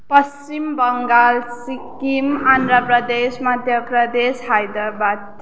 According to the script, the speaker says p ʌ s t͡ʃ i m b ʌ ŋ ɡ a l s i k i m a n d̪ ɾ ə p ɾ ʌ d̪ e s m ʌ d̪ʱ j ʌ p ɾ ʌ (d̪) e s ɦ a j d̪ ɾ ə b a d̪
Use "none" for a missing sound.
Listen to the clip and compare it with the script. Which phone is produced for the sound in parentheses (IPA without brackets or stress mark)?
d̪